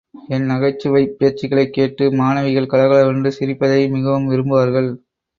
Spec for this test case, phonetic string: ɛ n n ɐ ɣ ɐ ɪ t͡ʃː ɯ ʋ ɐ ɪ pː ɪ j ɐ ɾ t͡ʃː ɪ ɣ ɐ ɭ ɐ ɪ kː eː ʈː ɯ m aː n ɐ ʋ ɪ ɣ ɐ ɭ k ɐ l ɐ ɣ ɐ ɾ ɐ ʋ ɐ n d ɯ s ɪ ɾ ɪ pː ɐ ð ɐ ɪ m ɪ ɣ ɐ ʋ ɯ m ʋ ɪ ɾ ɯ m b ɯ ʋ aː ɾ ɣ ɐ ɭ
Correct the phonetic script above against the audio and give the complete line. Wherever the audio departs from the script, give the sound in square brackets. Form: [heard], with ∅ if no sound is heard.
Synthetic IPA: ɛ n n ɐ ɣ ɐ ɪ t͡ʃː ɯ ʋ ɐ ɪ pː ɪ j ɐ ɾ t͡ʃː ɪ ɣ ɐ ɭ ɐ ɪ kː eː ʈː ɯ m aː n ɐ ʋ ɪ ɣ ɐ ɭ k ɐ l ɐ ɣ ɐ [ɭ] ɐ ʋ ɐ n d ɯ s ɪ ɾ ɪ pː ɐ ð ɐ ɪ m ɪ ɣ ɐ ʋ ɯ m ʋ ɪ ɾ ɯ m b ɯ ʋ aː ɾ ɣ ɐ ɭ